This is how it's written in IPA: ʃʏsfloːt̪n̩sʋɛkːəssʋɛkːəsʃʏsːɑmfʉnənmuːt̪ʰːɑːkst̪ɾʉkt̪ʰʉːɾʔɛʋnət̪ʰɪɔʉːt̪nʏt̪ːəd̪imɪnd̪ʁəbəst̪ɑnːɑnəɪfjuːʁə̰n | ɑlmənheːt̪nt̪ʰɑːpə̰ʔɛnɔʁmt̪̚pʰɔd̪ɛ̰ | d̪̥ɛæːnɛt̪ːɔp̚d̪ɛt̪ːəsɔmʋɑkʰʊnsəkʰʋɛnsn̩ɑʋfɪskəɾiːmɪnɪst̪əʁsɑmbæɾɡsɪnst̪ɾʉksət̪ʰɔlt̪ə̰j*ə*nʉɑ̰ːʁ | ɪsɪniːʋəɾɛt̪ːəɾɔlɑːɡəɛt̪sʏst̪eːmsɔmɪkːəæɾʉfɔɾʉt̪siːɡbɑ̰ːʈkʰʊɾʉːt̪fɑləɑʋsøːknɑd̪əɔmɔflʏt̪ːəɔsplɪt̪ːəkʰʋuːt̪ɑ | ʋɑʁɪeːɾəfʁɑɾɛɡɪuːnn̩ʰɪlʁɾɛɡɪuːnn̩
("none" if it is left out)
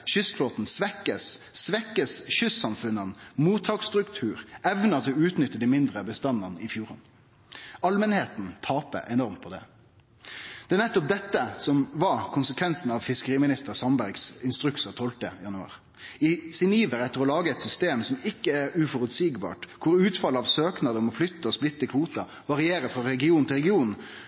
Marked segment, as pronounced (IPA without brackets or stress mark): ɑ